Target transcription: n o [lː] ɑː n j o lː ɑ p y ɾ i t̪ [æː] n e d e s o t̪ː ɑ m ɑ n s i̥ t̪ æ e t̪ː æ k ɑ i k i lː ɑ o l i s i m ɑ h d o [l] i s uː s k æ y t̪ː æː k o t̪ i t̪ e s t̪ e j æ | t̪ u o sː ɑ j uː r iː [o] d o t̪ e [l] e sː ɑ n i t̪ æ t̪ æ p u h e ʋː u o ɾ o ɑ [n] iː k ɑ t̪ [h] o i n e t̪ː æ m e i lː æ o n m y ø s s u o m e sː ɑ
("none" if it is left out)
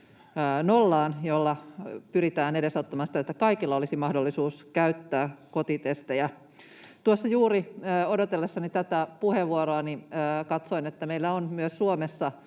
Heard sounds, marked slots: lː, æː, lː, o, lː, n, s

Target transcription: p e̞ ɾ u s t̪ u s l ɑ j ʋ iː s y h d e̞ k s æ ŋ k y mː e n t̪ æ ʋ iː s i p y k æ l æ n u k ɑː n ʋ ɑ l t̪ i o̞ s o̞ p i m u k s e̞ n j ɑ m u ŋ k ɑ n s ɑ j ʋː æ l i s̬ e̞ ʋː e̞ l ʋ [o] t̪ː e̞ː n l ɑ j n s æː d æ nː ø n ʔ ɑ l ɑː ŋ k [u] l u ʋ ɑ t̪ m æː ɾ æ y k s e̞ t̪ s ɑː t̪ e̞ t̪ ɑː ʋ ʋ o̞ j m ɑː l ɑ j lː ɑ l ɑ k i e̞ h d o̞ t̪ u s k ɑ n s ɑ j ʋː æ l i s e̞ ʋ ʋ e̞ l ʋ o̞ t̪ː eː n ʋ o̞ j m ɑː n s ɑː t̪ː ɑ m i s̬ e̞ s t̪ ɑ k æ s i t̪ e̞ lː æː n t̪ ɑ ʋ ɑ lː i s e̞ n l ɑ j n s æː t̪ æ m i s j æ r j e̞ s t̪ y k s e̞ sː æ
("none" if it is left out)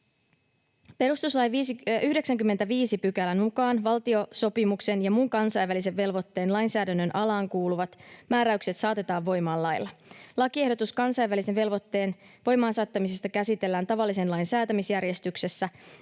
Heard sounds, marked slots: o, uː

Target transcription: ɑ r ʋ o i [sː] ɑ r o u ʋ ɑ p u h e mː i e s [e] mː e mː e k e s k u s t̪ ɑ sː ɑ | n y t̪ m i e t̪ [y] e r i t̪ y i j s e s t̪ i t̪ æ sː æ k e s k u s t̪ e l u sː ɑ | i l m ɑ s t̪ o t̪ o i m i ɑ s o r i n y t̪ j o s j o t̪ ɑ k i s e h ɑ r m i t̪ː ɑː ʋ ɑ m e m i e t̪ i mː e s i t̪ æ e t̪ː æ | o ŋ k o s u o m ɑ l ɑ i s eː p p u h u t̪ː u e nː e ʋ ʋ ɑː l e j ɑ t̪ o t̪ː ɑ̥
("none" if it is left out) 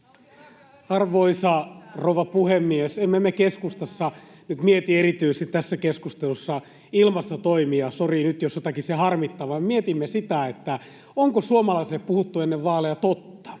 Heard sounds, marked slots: s, e, i

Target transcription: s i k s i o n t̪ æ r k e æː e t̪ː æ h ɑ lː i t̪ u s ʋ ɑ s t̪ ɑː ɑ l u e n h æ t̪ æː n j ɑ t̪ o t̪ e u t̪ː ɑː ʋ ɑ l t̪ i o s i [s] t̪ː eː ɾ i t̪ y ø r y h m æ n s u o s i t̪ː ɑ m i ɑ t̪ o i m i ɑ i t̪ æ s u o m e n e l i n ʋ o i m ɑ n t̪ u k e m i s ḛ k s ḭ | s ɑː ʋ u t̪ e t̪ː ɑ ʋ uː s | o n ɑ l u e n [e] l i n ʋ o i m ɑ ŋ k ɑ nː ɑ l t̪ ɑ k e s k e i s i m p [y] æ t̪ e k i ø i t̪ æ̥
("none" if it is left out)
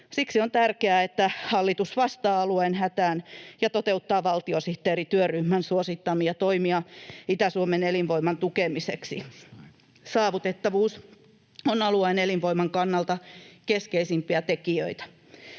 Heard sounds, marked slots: h, e, i

